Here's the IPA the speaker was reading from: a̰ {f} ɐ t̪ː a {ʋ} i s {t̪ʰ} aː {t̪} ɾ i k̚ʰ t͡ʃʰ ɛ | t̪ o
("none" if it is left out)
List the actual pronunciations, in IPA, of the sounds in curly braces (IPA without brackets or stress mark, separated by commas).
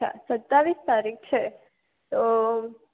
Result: s, ʋ, t̪, none